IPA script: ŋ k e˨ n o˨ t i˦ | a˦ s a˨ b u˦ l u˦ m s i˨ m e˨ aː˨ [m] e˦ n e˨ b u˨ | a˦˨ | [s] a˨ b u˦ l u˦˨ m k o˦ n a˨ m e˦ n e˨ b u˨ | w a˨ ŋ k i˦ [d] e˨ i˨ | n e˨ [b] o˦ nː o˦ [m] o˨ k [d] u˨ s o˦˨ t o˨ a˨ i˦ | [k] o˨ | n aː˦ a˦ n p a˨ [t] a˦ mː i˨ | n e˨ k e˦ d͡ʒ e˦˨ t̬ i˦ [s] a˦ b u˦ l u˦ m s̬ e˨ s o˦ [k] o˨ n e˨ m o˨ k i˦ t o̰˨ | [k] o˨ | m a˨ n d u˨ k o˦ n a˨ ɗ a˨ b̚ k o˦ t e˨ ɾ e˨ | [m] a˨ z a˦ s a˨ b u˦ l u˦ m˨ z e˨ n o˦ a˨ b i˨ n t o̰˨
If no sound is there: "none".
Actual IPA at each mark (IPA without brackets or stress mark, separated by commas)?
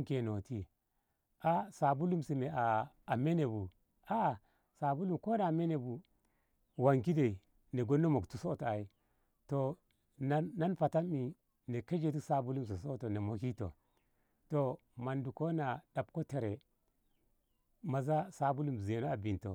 m, s, d, ɡ, m, t, t, t, s, t, t, m